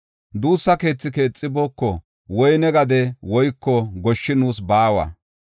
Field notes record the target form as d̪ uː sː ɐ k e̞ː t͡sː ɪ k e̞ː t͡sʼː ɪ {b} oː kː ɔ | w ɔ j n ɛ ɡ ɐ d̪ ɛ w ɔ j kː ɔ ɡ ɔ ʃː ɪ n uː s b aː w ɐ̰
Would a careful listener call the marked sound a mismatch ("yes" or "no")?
no